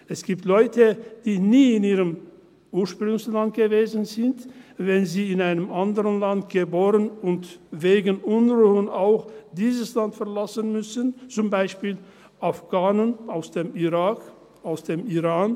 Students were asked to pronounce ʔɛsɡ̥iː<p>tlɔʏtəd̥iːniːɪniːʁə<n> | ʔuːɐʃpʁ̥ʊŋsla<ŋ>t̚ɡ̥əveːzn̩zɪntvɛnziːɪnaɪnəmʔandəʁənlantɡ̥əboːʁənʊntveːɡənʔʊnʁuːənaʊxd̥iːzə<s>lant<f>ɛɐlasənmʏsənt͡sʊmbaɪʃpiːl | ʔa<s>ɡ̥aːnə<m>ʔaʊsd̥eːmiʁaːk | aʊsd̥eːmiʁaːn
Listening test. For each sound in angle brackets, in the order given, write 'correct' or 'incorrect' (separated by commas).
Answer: correct, incorrect, incorrect, correct, correct, incorrect, incorrect